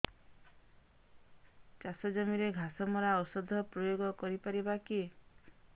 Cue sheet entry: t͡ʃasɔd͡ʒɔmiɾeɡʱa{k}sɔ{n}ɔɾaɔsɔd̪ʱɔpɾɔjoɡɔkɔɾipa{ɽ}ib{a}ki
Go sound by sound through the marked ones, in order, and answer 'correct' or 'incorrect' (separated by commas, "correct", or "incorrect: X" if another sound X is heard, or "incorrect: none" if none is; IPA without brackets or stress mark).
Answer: incorrect: none, incorrect: m, incorrect: ɾ, correct